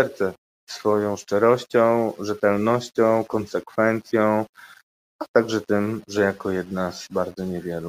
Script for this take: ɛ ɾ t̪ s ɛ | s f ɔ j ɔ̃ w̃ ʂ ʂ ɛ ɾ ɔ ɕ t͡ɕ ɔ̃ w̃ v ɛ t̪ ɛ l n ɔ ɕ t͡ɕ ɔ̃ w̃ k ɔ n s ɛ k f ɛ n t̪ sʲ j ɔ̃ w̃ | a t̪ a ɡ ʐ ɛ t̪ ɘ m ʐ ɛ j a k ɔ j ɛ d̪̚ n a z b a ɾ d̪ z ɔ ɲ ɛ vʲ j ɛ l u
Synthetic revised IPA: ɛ ɾ t̪ s ɛ | s f ɔ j ɔ̃ w̃ ʂ t͡ʂ ɛ ɾ ɔ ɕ t͡ɕ ɔ̃ w̃ ʐ ɛ t̪ ɛ l n ɔ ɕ t͡ɕ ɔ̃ w̃ k ɔ n s ɛ k f ɛ n t̪ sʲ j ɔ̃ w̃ | a t̪ a ɡ ʐ ɛ t̪ ɘ m ʐ ɛ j a k ɔ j ɛ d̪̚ n a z b a ɾ d̪ z ɔ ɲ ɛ vʲ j ɛ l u